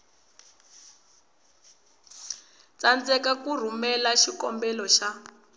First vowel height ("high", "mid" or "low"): low